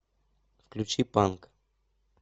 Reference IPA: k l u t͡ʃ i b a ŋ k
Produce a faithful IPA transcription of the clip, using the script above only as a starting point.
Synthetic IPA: k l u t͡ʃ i p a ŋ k